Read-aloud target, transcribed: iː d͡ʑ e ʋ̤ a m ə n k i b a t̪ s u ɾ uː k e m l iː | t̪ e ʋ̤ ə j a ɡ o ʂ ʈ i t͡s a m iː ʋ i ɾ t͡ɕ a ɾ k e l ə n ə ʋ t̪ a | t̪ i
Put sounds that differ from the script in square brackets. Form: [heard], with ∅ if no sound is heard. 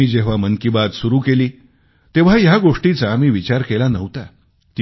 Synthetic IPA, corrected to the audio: iː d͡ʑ e ʋ̤ a m ə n k i b a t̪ s u ɾ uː k e [∅] l iː | t̪ e ʋ̤ [a] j a ɡ o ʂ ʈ i t͡s a m iː ʋ i [∅] t͡ɕ a ɾ k e l [a] n ə ʋ t̪ a | t̪ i